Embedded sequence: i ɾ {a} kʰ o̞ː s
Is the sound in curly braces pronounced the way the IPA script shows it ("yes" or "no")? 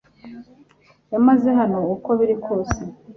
no